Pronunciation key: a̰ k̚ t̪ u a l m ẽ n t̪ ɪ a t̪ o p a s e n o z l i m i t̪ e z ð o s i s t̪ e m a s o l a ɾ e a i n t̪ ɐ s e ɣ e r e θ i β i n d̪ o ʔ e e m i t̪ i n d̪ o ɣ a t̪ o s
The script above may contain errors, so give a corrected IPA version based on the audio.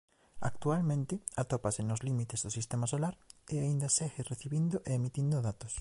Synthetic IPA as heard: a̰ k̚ t̪ u a l m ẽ n t̪ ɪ a t̪ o p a s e n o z l i m i t̪ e z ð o s i s t̪ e m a s o l a ɾ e a i n d̪ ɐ s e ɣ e r e θ i β i n d̪ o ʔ e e m i t̪ i n d̪ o ð a t̪ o s